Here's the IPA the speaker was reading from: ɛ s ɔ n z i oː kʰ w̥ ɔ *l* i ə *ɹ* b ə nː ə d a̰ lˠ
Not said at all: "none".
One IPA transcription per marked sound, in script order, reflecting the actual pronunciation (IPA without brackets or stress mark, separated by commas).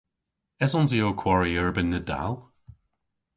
ɹ, ɹ